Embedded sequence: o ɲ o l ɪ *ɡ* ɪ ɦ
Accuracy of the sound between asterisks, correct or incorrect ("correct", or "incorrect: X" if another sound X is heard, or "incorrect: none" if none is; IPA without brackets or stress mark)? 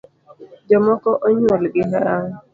correct